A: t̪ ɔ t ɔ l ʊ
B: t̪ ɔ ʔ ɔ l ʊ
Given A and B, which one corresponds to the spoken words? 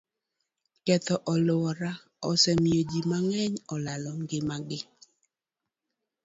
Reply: B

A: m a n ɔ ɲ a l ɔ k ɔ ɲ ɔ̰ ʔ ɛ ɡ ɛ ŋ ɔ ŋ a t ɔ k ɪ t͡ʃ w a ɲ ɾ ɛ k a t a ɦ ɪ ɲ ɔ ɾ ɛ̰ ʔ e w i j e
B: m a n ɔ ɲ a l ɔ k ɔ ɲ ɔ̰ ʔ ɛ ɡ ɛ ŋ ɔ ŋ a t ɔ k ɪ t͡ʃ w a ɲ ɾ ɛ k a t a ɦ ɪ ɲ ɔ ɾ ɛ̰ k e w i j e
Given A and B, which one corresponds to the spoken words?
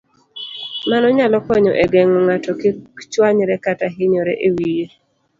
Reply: A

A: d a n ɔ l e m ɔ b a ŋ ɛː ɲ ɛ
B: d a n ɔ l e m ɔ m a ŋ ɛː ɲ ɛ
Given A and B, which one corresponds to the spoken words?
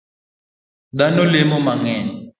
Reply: B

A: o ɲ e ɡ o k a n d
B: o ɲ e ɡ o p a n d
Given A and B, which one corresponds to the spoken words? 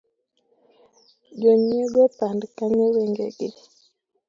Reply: B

